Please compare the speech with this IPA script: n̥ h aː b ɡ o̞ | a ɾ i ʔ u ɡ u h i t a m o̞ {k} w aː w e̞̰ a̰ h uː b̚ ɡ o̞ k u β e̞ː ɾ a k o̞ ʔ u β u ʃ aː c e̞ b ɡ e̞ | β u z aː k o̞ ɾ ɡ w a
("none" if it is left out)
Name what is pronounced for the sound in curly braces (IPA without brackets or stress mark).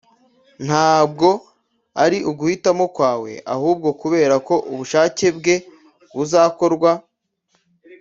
k